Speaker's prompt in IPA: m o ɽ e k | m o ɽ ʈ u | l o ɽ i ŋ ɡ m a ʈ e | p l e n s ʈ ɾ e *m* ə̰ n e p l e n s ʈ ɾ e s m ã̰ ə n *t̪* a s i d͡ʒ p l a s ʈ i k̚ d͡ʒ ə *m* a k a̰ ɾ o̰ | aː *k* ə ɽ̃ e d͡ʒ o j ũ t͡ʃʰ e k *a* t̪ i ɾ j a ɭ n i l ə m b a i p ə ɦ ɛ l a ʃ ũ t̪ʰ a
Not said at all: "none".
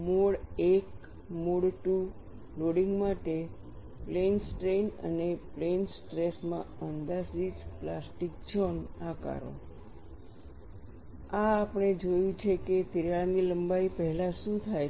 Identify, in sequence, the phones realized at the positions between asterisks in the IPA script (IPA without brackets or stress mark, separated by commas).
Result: n, d̪, n, p, e